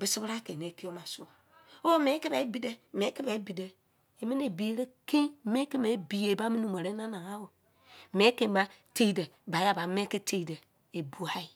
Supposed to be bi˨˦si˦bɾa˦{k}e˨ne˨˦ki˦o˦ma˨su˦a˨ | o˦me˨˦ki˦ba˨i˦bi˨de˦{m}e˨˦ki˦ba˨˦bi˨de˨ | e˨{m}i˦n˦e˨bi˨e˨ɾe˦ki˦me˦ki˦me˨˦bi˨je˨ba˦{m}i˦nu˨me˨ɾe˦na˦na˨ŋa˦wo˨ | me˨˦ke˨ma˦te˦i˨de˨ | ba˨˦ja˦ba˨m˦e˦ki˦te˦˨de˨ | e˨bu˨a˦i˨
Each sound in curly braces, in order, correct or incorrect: correct, correct, correct, correct

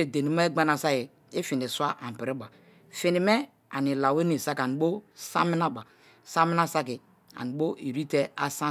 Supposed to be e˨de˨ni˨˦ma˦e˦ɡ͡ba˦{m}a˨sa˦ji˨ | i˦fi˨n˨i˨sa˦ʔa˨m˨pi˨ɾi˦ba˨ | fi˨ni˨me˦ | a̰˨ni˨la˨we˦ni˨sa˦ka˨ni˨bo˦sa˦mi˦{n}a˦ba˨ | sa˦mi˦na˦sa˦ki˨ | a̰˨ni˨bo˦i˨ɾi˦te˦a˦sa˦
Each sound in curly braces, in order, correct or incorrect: incorrect: n, correct

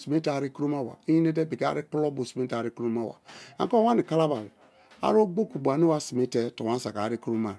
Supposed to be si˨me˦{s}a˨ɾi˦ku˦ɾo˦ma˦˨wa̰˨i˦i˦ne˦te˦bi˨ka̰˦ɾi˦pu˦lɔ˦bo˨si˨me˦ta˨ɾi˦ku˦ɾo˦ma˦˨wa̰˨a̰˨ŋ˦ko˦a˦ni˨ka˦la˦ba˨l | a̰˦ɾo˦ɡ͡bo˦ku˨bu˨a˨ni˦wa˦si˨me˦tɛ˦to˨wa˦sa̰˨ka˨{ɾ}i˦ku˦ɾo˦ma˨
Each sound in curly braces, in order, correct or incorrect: incorrect: t, correct

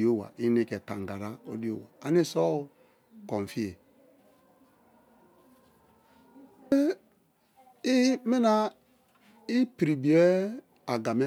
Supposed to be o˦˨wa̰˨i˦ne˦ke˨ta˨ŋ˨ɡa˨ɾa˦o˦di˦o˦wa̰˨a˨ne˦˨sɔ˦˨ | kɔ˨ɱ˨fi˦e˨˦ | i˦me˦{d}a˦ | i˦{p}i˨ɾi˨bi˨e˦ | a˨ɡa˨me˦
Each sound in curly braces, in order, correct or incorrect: incorrect: n, correct

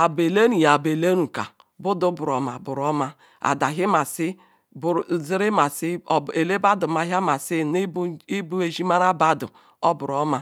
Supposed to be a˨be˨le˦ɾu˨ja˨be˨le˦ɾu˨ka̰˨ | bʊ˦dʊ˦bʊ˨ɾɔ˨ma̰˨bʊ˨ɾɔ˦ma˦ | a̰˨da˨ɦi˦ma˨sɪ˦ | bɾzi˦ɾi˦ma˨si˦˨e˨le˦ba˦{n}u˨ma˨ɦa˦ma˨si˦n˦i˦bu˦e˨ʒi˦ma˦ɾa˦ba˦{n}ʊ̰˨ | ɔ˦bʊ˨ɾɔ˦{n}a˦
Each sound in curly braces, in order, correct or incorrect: incorrect: d, incorrect: d, incorrect: m

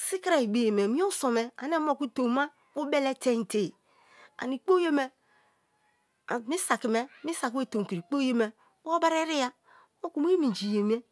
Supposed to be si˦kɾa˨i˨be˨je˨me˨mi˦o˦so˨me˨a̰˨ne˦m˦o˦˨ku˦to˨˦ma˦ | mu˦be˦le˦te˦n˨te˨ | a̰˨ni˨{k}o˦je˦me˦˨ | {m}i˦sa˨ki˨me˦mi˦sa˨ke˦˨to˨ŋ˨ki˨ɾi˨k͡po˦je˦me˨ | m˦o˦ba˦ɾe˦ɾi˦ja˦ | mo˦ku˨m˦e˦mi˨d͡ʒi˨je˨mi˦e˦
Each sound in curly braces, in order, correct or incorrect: incorrect: k͡p, correct

